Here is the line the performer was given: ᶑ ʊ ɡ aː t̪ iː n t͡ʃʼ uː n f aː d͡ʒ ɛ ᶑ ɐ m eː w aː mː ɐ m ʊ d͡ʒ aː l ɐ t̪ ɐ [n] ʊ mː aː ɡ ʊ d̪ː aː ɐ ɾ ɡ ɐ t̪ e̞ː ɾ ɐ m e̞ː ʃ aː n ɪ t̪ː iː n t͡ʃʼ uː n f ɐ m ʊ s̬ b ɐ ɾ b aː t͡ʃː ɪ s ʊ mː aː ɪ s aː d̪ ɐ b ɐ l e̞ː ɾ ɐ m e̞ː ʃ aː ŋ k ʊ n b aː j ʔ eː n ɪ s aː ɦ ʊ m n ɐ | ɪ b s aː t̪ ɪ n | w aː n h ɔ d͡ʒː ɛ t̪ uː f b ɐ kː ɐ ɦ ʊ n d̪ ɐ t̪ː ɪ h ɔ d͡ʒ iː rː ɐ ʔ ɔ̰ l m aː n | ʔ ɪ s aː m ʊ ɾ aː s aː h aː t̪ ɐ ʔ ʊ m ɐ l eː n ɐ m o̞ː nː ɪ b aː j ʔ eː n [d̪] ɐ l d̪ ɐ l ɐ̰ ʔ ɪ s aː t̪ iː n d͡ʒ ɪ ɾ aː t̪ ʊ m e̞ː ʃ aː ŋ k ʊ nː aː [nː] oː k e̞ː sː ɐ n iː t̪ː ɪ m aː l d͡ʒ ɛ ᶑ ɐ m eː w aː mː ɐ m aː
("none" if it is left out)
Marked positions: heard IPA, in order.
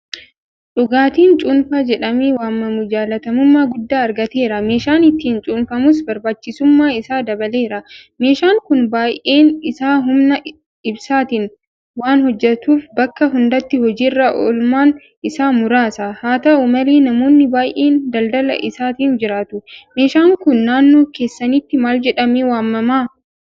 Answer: m, d̪, nː

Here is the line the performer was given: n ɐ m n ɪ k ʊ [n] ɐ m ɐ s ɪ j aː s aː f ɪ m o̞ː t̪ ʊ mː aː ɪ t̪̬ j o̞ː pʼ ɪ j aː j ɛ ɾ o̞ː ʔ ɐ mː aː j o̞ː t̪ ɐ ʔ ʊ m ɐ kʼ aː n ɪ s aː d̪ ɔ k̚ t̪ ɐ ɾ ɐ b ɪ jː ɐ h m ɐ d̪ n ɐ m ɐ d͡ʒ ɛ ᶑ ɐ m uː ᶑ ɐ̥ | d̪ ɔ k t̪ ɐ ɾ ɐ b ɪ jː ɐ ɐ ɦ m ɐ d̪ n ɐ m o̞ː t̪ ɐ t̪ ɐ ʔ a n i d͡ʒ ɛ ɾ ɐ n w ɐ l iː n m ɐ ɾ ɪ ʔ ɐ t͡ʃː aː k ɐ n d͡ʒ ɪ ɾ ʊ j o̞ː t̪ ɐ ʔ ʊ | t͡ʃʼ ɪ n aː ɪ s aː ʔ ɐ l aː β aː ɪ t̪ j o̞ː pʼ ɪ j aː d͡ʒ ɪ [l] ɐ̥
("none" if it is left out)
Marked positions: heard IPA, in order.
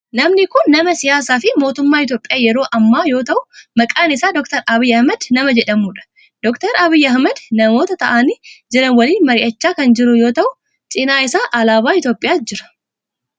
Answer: nː, ɾ

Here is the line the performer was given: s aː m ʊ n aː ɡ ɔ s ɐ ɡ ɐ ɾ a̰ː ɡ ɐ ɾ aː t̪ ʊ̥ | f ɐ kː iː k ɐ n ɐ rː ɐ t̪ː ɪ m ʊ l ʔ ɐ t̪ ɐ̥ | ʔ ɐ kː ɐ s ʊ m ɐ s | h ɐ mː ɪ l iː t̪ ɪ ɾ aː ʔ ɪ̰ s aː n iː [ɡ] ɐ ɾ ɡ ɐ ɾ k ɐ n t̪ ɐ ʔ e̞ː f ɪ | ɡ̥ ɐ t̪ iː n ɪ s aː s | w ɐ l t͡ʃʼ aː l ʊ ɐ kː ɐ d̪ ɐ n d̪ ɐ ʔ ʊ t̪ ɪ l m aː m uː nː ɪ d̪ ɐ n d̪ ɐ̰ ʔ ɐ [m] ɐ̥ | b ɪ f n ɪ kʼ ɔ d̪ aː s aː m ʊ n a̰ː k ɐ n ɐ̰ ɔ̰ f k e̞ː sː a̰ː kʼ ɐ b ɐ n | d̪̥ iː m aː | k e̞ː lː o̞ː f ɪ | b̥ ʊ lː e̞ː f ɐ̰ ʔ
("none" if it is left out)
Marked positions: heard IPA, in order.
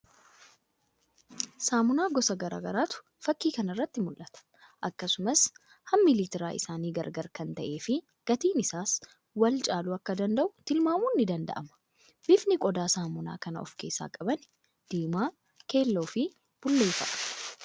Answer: ɡ, m

